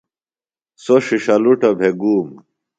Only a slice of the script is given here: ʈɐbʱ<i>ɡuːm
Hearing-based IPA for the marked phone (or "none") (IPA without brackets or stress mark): e